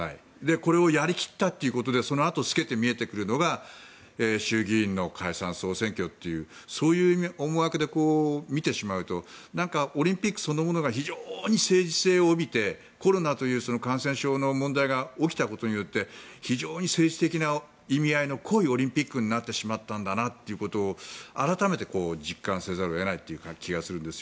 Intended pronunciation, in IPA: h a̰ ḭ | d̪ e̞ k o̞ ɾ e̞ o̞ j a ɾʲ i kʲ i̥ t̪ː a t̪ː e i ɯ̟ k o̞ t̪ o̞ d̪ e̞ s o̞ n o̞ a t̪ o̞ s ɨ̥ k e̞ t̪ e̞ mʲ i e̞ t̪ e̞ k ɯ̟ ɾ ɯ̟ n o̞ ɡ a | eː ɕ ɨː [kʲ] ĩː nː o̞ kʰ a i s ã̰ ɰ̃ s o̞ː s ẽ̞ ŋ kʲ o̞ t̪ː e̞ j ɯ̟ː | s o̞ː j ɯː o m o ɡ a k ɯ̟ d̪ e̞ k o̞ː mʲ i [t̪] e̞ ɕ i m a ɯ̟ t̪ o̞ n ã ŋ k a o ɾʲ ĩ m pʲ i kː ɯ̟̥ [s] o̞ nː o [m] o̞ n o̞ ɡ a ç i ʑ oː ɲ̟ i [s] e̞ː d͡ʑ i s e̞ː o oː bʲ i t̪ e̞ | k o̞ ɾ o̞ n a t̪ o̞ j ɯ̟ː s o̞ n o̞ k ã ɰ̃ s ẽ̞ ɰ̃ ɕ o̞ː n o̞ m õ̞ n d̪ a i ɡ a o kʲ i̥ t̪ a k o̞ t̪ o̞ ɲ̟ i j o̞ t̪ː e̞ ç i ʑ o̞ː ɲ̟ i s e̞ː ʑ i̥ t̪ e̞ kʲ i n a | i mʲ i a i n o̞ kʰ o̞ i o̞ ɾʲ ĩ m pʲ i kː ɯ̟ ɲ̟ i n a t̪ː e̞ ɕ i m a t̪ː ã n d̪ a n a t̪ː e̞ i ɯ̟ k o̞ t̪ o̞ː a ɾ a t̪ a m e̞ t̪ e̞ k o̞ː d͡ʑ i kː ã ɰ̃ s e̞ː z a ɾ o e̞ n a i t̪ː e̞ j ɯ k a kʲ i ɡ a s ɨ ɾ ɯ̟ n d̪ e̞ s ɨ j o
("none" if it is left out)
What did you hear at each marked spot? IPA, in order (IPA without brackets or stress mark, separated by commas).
ɡʲ, t̪, s, m, s